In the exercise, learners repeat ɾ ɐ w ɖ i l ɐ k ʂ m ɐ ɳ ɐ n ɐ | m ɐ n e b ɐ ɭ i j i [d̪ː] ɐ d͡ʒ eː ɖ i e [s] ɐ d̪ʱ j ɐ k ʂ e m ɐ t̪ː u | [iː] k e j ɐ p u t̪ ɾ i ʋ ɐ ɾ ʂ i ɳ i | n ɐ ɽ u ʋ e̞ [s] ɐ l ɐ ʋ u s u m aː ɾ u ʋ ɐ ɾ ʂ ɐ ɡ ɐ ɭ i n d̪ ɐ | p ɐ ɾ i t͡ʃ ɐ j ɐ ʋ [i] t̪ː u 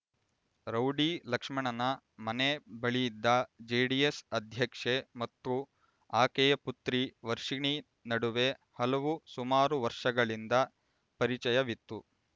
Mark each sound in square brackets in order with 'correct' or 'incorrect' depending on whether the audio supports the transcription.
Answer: correct, correct, incorrect: aː, incorrect: h, correct

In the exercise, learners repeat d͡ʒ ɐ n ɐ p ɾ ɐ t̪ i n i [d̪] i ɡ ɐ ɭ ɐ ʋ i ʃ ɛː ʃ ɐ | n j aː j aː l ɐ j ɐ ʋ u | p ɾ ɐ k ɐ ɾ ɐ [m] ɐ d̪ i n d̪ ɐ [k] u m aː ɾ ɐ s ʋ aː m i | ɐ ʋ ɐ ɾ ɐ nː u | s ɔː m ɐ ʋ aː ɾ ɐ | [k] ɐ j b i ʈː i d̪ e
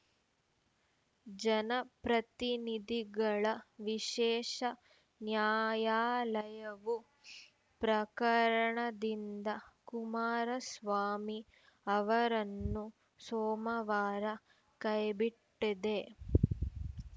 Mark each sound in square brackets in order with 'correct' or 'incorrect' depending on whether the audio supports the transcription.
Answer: correct, incorrect: ɳ, correct, correct

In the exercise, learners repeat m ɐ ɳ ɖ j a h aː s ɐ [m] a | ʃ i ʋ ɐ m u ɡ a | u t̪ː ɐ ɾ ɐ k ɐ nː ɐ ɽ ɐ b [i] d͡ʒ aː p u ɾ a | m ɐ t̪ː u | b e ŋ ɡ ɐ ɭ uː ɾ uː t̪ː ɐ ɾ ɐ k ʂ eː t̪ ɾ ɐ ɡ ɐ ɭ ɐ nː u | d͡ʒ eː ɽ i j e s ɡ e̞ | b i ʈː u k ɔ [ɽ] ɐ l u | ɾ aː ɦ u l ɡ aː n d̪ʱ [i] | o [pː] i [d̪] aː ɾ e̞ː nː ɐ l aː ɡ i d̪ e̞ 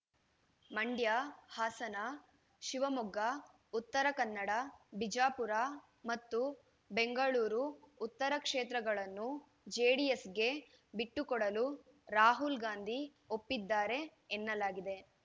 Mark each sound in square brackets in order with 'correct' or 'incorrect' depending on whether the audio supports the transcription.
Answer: incorrect: n, correct, correct, correct, correct, incorrect: d̪ː

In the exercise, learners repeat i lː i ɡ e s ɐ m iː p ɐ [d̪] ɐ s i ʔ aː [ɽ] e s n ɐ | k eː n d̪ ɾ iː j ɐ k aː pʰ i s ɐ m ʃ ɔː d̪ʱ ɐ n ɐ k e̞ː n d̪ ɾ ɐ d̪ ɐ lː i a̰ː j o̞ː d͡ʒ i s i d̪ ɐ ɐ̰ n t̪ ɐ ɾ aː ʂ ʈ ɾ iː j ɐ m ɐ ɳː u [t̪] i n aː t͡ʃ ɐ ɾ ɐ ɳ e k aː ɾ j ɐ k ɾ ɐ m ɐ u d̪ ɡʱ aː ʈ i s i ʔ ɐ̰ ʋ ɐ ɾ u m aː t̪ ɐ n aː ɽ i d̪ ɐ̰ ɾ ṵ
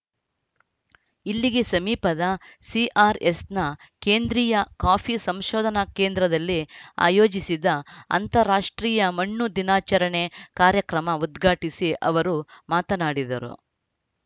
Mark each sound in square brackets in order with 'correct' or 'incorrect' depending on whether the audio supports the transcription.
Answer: correct, incorrect: ɾ, incorrect: d̪

